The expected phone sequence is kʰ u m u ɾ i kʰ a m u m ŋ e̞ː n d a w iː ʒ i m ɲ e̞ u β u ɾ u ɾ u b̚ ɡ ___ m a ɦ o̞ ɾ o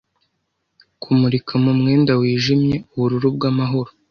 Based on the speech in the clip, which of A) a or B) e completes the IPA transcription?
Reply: A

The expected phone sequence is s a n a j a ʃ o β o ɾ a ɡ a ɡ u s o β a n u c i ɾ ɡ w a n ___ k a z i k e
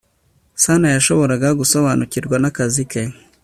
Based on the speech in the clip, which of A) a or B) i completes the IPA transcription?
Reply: A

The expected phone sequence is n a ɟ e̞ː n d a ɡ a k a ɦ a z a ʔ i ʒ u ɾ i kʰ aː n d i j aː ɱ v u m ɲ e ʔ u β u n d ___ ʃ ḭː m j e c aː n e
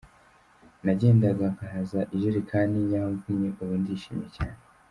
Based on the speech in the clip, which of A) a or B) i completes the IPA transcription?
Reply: B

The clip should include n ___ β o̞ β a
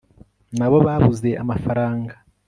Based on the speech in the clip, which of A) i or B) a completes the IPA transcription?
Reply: B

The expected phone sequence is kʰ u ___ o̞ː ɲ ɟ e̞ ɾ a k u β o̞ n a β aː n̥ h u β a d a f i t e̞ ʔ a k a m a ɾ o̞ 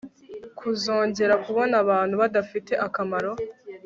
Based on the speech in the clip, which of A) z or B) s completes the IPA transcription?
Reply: A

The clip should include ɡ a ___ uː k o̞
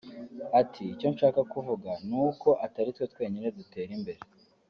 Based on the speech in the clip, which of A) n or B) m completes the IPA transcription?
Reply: A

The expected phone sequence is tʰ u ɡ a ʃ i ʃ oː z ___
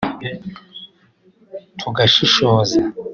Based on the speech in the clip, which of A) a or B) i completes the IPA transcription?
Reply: A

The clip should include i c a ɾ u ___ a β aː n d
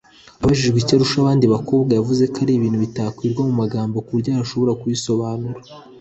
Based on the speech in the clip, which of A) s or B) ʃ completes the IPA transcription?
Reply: B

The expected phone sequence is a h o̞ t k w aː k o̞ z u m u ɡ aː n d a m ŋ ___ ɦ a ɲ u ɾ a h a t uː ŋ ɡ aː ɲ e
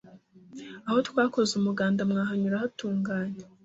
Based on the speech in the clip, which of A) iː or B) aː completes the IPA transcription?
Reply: B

